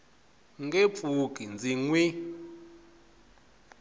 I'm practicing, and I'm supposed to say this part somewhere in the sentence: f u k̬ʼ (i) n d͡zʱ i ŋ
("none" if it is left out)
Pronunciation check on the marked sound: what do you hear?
i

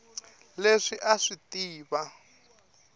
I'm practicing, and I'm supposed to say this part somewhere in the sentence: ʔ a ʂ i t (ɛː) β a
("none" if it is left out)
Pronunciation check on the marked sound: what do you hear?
iː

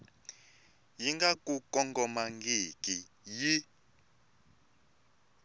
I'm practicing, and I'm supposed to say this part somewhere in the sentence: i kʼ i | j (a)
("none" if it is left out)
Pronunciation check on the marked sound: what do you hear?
i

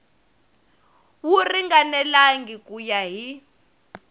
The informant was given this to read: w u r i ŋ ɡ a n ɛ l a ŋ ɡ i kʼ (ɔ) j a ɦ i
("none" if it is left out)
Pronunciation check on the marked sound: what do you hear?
u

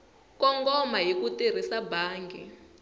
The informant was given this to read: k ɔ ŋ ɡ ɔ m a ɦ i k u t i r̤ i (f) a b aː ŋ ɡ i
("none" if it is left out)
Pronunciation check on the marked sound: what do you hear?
s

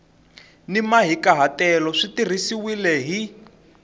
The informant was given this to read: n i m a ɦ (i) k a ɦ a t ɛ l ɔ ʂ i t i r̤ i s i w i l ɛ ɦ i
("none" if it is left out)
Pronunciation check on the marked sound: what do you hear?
i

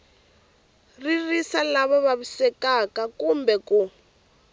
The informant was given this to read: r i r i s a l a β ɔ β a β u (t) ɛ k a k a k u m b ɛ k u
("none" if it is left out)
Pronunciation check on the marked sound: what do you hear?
s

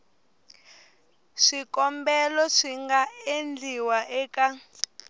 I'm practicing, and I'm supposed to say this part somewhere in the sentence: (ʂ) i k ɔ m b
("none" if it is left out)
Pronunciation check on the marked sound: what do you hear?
ʂ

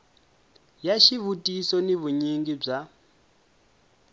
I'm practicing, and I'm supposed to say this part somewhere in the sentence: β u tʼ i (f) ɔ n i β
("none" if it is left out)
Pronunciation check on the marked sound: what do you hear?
s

